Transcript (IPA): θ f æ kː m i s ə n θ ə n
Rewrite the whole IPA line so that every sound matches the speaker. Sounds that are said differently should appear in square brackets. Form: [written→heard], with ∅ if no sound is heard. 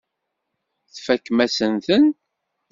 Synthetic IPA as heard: θ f æ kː m [i→æ] s ə n θ ə n